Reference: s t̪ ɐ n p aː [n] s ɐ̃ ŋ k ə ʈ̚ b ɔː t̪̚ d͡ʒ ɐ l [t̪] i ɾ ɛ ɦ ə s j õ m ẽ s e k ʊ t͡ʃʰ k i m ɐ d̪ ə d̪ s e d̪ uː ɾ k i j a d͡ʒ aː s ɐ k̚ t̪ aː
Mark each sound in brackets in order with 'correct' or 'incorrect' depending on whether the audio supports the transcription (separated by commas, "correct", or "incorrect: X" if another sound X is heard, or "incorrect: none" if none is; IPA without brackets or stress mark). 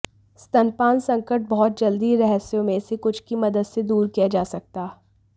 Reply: correct, incorrect: d̪